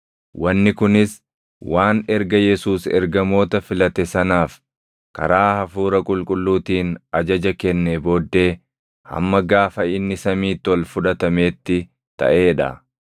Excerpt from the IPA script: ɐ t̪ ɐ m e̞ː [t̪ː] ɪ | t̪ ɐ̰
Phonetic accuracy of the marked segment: correct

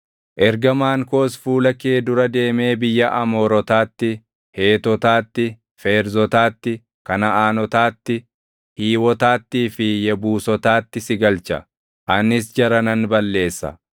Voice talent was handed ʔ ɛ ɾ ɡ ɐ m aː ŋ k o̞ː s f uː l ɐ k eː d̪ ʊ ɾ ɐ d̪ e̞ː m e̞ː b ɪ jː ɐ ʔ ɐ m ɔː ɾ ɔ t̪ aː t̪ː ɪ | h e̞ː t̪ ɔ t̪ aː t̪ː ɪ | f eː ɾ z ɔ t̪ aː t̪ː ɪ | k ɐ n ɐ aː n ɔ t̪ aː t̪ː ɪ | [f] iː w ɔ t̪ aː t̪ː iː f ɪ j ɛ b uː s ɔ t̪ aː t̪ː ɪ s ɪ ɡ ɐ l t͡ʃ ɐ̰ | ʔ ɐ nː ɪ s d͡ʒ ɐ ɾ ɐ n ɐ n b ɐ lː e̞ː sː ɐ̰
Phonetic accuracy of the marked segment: incorrect: h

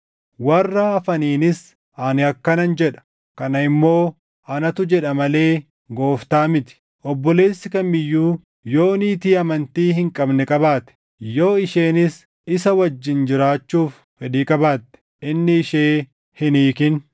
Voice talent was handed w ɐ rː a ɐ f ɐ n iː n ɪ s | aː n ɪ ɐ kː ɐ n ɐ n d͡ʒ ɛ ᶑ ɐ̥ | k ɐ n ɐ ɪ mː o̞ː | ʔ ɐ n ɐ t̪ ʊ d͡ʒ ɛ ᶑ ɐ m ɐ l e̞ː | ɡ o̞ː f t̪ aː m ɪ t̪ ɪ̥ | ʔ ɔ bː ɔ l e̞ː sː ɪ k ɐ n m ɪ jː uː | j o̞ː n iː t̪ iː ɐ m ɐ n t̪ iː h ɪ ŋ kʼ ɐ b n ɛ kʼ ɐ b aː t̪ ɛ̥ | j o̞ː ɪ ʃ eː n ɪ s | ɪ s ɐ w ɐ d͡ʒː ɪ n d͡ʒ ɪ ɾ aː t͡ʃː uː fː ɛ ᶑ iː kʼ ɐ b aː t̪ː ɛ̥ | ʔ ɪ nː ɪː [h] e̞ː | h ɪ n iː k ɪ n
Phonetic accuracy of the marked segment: incorrect: ʃ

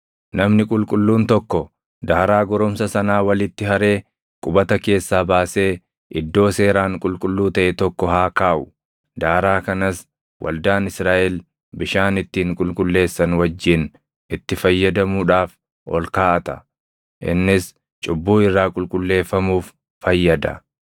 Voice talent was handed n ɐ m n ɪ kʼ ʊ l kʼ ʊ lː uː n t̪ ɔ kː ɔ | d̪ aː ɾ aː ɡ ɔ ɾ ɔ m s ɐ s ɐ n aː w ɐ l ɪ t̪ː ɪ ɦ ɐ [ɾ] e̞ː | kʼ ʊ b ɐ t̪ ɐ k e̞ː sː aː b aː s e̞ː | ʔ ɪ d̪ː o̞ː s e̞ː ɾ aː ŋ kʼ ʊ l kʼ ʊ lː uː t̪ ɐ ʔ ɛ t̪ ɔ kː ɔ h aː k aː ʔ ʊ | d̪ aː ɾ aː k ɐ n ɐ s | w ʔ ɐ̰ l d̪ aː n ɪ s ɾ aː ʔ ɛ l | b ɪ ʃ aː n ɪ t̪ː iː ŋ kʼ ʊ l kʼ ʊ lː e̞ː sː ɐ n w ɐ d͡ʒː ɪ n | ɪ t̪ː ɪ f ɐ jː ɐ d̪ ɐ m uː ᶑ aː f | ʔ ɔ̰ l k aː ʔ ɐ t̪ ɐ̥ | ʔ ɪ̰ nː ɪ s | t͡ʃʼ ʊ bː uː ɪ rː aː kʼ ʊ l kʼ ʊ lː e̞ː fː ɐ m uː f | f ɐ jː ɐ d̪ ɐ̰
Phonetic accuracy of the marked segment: correct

